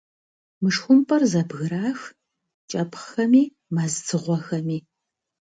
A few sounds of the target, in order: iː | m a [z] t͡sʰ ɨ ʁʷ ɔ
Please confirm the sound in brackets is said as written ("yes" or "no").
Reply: yes